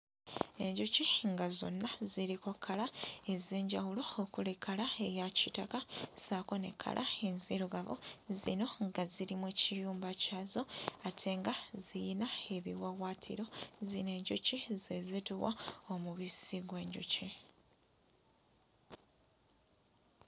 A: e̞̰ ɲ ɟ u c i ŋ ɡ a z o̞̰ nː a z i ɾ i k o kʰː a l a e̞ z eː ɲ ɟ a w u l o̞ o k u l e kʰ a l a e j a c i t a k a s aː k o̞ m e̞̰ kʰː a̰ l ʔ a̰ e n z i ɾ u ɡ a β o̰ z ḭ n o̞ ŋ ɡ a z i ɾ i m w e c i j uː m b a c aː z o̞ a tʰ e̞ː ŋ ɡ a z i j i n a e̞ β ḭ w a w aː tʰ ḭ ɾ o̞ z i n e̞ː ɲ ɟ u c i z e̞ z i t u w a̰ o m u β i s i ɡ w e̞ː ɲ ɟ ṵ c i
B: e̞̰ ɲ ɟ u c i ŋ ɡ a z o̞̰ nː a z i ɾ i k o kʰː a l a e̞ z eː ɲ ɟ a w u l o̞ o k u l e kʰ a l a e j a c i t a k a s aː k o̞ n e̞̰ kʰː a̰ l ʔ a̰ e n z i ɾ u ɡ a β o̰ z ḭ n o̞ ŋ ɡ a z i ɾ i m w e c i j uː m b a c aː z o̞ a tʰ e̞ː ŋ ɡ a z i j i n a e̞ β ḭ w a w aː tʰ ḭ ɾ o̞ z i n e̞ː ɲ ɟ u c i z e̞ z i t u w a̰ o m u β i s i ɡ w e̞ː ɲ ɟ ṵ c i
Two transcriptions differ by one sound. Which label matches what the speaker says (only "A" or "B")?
B